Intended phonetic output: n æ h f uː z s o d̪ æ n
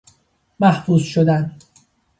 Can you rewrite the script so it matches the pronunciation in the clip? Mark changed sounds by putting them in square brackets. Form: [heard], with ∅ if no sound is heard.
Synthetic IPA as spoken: [m] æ h f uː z [ʃ] o d̪ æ n